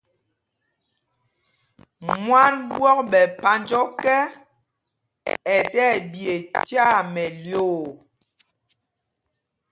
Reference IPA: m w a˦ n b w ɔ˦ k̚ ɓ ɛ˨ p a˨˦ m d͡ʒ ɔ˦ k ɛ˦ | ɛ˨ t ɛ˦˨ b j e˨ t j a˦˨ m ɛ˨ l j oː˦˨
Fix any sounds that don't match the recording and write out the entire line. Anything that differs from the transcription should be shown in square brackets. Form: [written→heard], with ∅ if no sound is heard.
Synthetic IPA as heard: m w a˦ n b w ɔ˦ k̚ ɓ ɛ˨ p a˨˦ [m→n] d͡ʒ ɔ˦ k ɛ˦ | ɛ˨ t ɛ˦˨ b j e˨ t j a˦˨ m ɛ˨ l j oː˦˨